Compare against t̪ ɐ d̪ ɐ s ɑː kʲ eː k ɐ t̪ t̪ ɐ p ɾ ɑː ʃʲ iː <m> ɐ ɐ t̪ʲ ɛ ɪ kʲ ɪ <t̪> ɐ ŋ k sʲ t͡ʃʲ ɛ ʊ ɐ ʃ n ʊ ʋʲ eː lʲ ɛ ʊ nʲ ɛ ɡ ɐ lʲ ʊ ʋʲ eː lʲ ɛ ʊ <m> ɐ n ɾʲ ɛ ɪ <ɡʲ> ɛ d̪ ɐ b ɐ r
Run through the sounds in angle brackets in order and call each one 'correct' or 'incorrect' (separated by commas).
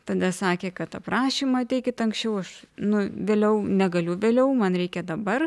correct, correct, correct, incorrect